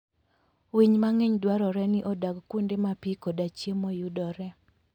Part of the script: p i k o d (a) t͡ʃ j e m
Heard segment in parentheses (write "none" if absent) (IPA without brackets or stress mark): a